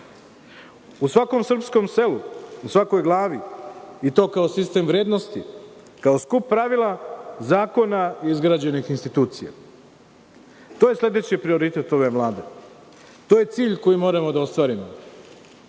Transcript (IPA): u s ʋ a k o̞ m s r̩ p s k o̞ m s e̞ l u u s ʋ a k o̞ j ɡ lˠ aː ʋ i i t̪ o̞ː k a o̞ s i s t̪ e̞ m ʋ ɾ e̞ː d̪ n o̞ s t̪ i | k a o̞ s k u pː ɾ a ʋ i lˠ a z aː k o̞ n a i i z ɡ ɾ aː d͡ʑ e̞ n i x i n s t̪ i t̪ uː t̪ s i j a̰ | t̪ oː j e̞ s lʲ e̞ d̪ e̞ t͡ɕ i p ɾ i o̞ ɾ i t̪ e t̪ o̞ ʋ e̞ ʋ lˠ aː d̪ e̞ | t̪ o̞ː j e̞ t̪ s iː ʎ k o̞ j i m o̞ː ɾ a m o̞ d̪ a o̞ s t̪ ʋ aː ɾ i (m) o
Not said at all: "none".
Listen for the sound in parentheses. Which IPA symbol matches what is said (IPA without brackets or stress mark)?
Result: m